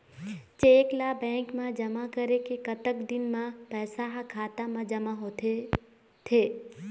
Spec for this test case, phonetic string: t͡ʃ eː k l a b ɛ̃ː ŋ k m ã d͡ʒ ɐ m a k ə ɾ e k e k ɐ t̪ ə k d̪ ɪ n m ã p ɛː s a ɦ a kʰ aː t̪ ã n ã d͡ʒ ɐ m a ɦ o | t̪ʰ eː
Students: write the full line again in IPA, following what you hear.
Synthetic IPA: t͡ʃ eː k l a b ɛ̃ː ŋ k m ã d͡ʒ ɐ m a k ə ɾ e k e k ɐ t̪ ə k d̪ ɪ n m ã p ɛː s a ɦ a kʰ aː t̪ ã m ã d͡ʒ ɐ m a ɦ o | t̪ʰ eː